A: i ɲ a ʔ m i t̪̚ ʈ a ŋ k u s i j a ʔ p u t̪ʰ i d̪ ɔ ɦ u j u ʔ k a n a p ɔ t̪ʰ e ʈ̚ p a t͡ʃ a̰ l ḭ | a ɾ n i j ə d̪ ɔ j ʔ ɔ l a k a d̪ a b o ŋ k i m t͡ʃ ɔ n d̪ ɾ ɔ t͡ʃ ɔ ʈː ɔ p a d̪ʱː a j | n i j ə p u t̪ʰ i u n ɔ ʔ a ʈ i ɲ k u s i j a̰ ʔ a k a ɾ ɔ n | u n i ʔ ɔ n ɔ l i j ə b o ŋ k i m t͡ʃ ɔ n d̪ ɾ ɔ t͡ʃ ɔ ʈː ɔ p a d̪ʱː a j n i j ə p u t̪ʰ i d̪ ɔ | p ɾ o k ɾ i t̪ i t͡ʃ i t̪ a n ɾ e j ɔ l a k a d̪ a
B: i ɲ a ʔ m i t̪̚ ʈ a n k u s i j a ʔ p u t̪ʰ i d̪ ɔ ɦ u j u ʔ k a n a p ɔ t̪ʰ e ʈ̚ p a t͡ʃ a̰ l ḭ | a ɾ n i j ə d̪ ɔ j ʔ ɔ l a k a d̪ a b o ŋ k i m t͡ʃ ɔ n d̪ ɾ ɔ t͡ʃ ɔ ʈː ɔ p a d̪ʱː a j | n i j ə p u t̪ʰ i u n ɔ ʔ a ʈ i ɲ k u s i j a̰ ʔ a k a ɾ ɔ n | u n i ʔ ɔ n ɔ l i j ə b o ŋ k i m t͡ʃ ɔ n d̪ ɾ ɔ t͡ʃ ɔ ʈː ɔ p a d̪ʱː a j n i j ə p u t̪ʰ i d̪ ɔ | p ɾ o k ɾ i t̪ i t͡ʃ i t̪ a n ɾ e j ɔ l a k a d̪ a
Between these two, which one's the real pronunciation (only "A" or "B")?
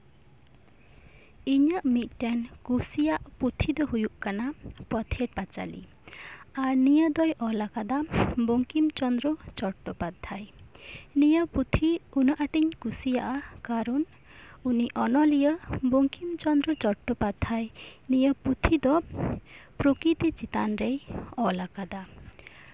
B